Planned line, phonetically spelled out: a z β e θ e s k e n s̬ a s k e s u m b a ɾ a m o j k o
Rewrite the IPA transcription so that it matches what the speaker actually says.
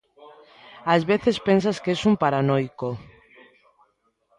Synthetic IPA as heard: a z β e θ e s p e n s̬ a s k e s u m p a ɾ a n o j k o